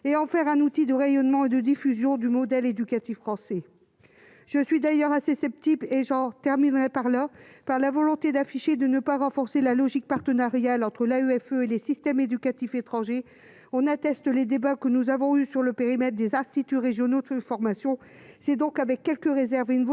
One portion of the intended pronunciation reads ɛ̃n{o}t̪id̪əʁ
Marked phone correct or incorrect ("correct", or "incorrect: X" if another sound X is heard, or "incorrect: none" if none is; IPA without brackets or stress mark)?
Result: incorrect: u